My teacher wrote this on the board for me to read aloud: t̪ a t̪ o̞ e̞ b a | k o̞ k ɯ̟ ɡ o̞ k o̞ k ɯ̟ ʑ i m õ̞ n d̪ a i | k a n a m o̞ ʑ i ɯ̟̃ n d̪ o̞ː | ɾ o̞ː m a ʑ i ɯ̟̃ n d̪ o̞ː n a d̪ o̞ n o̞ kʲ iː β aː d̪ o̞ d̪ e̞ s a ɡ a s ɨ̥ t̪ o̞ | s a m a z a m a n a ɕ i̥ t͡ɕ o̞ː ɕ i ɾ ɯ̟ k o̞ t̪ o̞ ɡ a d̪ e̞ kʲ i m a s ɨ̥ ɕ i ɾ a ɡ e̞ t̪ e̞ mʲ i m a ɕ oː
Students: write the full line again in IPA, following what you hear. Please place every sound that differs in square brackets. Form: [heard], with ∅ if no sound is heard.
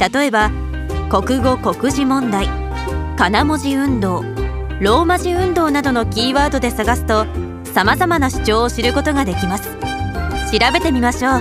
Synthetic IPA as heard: t̪ a t̪ o̞ e̞ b a | k o̞ k ɯ̟ ɡ o̞ k o̞ k ɯ̟ ʑ i m õ̞ n d̪ a i | k a n a m o̞ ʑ i ɯ̟̃ n d̪ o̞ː | ɾ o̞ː m a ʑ i ɯ̟̃ n d̪ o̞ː n a d̪ o̞ n o̞ kʲ iː β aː d̪ o̞ d̪ e̞ s a ɡ a s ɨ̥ t̪ o̞ | s a m a z a m a n a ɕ i̥ t͡ɕ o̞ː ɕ i ɾ ɯ̟ k o̞ t̪ o̞ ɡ a d̪ e̞ kʲ i m a s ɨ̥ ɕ i ɾ a [b] e̞ t̪ e̞ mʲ i m a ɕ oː